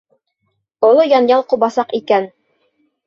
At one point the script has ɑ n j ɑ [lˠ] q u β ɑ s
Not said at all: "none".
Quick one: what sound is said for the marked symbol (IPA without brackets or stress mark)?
lˠ